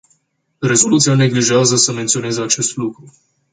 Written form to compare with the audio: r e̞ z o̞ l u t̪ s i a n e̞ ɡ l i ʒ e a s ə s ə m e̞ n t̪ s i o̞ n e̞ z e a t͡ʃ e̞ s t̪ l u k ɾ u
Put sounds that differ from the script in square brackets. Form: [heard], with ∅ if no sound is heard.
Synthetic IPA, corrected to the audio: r e̞ z o̞ l u t̪ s i a n e̞ ɡ l i ʒ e a [z] ə s ə m e̞ n t̪ s i o̞ n e̞ z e a t͡ʃ e̞ s t̪ l u k ɾ u